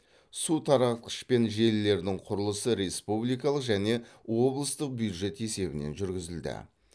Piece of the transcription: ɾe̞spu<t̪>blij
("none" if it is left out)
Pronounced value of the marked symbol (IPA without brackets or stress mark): none